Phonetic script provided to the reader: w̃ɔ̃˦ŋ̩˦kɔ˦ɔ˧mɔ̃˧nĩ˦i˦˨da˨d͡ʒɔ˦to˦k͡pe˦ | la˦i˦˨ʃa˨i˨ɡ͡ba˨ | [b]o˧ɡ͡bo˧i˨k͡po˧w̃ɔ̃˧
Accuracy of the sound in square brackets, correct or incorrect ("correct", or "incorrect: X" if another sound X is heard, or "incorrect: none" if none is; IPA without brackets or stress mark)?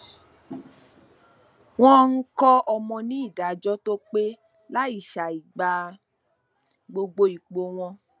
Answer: incorrect: ɡ͡b